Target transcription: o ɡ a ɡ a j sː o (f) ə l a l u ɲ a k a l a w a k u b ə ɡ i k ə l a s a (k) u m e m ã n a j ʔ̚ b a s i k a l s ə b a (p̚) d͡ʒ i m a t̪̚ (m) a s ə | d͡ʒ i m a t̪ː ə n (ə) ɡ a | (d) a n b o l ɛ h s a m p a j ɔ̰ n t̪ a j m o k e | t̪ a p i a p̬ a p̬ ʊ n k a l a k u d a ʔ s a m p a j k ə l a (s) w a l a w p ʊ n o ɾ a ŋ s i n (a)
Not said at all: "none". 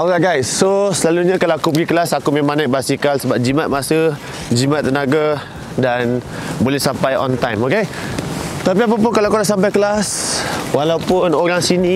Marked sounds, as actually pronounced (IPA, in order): s, k, p̚, m, a, d, s, i

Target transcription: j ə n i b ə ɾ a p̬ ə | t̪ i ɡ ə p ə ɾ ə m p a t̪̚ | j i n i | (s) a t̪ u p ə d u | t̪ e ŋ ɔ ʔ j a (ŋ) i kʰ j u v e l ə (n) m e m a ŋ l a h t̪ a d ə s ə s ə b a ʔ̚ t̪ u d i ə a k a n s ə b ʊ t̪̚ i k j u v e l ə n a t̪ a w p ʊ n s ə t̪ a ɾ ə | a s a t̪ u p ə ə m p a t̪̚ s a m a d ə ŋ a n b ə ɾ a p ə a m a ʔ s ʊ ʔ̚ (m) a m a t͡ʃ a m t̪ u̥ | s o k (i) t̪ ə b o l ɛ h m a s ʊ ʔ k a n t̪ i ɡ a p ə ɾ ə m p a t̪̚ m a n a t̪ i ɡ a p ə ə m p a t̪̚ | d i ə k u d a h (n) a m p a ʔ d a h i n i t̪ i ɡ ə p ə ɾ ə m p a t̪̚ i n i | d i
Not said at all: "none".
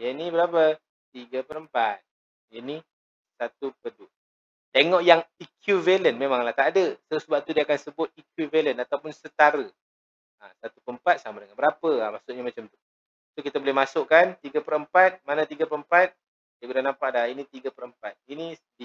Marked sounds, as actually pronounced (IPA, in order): s, ŋ, n, ɲ, i, n

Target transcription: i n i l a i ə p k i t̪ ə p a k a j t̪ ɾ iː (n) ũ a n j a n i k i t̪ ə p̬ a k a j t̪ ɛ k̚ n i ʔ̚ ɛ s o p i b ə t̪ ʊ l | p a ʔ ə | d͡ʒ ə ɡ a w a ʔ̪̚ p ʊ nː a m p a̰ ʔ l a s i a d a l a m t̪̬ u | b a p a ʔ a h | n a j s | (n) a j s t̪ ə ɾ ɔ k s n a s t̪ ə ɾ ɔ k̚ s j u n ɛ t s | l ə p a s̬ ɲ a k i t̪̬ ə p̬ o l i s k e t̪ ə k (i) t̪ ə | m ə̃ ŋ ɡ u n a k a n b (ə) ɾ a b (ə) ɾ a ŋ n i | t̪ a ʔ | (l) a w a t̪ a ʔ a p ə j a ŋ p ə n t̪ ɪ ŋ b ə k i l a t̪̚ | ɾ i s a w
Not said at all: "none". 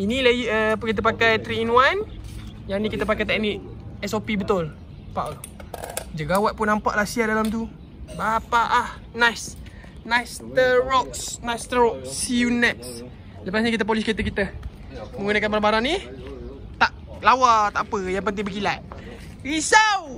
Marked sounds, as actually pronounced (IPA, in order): n, n, i, a, a, l

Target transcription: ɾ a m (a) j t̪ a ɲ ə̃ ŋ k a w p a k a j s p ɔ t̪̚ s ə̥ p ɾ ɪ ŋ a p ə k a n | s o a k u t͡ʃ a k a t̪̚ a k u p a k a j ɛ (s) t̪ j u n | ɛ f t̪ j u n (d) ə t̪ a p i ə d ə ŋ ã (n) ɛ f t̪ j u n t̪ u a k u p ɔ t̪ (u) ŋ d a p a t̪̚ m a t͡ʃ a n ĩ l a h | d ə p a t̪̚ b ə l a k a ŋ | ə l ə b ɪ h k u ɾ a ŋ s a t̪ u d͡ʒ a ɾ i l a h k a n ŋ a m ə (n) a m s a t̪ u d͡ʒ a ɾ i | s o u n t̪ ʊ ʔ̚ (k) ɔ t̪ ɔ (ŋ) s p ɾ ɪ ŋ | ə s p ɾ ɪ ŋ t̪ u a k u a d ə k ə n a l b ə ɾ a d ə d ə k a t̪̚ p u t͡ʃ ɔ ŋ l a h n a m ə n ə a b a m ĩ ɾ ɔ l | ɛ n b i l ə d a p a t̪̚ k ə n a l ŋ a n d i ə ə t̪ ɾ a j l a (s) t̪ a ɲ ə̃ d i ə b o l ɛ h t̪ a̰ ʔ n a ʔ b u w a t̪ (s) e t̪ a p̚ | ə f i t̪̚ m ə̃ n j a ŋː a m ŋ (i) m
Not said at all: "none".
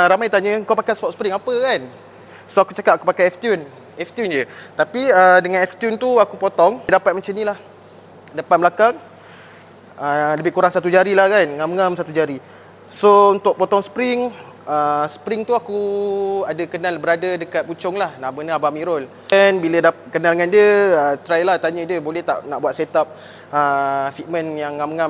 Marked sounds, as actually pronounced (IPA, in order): a, f, d͡ʒ, n, ɔ, ŋ, p, ŋ, h, s, a

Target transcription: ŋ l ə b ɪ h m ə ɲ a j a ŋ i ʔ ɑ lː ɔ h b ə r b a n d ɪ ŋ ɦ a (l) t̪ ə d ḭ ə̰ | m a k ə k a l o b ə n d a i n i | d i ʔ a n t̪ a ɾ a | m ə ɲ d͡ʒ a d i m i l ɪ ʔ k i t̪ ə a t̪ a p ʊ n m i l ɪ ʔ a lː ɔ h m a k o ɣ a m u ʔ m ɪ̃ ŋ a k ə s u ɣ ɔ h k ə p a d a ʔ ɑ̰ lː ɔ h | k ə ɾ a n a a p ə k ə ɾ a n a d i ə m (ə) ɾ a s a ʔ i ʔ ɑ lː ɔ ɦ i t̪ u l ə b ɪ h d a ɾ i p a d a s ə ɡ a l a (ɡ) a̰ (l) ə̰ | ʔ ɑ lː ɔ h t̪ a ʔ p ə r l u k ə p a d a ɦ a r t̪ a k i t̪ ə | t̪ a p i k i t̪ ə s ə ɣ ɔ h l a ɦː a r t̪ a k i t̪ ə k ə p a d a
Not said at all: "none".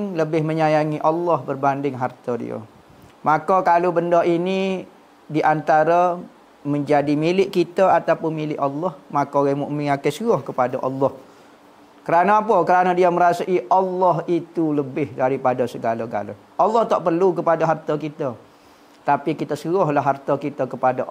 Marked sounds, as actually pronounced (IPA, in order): r, ə, ɡ, l

